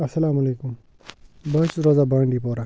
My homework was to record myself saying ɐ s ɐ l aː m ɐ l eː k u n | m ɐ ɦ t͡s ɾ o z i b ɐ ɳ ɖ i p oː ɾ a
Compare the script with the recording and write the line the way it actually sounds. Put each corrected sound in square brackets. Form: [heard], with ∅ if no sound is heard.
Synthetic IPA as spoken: ɐ s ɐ l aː m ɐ l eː k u [m] | [b] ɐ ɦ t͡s ɾ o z [a] b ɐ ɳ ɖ i p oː ɾ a